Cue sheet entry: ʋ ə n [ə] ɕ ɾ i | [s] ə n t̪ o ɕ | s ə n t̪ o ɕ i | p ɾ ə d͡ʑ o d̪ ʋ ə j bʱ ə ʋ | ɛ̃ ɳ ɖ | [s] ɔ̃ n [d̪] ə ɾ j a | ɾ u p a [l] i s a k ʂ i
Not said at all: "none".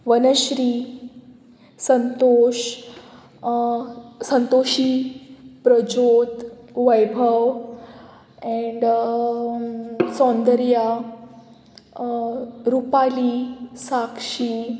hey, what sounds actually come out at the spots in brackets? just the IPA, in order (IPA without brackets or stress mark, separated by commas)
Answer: ə, s, s, d̪, l